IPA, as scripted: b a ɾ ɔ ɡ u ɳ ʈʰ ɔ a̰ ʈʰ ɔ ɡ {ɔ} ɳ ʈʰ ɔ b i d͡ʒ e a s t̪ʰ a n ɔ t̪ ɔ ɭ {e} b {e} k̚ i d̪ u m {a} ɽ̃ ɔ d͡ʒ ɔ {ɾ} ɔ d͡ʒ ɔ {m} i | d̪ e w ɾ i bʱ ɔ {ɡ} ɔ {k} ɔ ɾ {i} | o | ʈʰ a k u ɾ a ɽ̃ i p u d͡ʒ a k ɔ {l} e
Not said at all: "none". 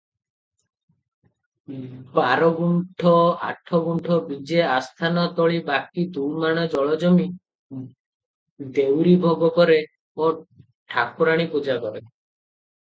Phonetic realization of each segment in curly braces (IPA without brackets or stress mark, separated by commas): u, i, a, a, ɭ, m, ɡ, k, e, ɾ